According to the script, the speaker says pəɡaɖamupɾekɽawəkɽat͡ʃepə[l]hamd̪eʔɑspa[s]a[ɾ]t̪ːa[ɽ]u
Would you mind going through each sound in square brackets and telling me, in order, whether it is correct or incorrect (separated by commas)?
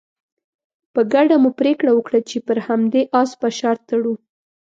incorrect, incorrect, correct, correct